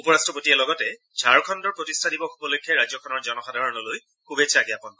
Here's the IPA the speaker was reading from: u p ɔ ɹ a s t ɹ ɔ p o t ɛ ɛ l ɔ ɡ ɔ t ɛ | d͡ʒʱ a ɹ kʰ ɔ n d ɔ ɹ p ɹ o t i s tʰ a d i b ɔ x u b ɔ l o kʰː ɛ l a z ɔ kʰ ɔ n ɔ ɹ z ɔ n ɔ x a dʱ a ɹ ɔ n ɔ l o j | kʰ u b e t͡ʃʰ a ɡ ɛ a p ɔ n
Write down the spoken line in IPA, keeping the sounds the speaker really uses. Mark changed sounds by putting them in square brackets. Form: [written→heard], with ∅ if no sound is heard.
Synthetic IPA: u p ɔ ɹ a s t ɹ ɔ p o t [ɛ→i] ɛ l ɔ ɡ ɔ t ɛ | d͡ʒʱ a ɹ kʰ ɔ n d ɔ ɹ p ɹ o t i s tʰ a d i b ɔ x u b ɔ l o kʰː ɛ [l→ɹ] a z ɔ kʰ ɔ n ɔ ɹ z ɔ n ɔ x a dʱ a ɹ ɔ n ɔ l o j | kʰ u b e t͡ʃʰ a ɡ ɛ a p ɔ n